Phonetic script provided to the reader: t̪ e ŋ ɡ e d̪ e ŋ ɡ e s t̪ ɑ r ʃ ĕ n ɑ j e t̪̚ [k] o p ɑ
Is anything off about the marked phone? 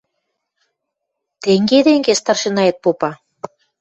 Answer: yes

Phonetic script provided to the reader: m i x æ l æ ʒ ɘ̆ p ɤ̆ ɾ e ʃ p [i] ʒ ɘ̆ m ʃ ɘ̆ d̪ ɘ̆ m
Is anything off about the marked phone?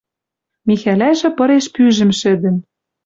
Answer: yes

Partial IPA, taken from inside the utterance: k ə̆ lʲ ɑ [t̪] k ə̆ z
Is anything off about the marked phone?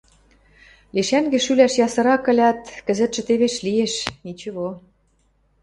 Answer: no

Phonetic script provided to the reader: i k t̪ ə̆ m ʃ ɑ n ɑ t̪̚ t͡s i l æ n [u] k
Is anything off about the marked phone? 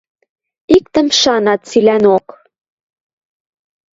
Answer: yes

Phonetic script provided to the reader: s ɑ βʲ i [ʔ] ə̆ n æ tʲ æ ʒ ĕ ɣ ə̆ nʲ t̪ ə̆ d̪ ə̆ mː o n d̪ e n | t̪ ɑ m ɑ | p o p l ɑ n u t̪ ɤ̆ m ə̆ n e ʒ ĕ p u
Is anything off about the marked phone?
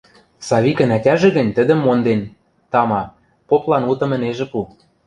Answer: yes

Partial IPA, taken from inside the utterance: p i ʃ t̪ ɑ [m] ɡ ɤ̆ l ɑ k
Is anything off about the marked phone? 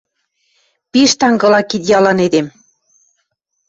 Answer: yes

